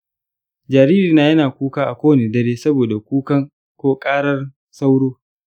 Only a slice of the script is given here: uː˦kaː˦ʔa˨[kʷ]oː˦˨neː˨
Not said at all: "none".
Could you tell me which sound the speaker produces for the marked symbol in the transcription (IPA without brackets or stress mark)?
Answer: kʷ